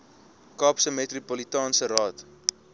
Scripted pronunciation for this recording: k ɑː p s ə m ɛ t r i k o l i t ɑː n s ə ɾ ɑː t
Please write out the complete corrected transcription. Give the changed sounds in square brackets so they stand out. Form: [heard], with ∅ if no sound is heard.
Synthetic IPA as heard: k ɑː p s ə m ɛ t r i [p] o l i t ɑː n s ə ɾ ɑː t